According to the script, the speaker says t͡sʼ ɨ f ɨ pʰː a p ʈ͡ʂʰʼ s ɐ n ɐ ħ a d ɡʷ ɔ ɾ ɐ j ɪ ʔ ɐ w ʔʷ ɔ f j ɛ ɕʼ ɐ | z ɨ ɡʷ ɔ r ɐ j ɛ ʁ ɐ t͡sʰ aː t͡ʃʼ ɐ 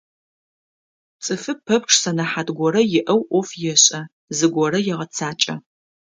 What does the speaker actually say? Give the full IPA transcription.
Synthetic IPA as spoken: t͡sʼ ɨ f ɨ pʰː ɐ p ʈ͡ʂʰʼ s ɐ n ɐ ħ a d ɡʷ ɔ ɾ ɐ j ɪ ʔ ɐ w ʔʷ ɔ f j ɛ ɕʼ ɐ | z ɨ ɡʷ ɔ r ɐ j ɛ ʁ ɐ t͡sʰ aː t͡ʃʼ ɐ